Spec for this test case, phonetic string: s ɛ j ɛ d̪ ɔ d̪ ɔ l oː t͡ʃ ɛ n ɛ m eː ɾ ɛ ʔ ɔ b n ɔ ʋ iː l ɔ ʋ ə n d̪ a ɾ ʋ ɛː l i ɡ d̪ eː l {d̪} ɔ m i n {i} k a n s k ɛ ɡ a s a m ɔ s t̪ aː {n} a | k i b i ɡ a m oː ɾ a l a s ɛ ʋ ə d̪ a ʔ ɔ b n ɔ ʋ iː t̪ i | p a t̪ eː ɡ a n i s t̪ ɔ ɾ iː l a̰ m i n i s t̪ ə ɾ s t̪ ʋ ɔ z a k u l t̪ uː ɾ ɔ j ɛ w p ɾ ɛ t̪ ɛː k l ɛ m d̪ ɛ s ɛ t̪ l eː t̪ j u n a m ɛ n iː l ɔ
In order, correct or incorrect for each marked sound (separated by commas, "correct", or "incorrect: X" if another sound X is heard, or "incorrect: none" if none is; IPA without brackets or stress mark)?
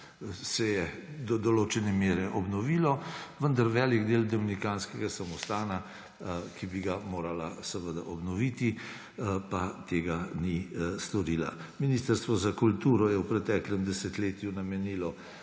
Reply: correct, correct, correct